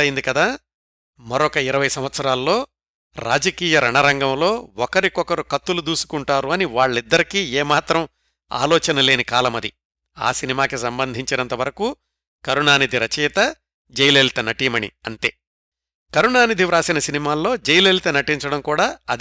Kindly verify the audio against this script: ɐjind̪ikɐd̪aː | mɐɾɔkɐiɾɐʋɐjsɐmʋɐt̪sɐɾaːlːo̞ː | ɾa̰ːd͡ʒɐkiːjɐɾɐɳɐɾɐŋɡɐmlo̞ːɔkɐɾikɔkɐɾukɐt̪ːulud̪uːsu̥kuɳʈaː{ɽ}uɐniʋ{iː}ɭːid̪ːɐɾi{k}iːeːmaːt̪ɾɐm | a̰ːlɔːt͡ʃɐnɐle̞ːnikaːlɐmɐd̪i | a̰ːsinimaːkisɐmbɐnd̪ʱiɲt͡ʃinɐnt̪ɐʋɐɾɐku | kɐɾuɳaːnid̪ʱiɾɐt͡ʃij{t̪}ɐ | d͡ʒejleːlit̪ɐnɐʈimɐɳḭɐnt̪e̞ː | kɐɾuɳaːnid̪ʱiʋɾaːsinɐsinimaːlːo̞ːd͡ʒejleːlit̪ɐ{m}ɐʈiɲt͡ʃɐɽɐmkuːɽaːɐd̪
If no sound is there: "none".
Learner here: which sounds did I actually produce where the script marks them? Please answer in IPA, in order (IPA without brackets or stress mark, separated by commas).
ɾ, aː, k, t̪, n